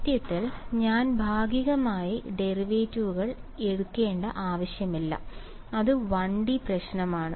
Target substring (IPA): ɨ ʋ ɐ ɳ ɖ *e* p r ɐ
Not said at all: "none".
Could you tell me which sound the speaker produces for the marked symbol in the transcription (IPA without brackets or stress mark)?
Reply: i